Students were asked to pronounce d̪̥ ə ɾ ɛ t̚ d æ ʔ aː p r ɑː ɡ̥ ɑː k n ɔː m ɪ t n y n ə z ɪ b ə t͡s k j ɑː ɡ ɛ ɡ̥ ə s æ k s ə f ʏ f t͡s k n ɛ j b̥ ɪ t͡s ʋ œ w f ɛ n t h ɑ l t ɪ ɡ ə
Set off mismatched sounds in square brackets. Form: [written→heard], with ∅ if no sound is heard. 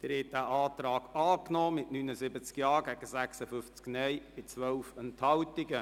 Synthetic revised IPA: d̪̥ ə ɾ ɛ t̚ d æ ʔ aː [p→t] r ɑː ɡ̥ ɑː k n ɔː m ɪ t n y n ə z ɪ b ə t͡s k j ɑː ɡ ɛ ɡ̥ ə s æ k s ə f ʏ f t͡s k n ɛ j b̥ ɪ t͡s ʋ œ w f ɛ n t h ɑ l t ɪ ɡ ə